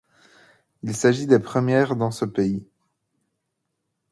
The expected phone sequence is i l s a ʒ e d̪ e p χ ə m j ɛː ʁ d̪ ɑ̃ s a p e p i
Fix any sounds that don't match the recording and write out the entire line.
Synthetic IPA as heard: i l s a ʒ i d̪ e p χ ə m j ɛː ʁ d̪ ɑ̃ s ə p e i